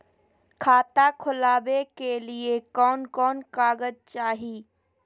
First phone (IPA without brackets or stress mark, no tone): kʰ